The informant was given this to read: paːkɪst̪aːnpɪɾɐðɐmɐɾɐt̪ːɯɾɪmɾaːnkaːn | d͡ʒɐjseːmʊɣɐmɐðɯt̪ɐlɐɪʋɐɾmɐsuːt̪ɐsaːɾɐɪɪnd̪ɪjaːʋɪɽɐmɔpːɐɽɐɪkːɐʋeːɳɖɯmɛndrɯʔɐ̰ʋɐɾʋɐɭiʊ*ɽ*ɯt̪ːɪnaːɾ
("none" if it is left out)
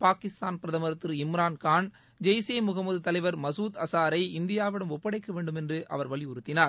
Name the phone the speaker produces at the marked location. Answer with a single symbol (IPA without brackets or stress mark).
ɾ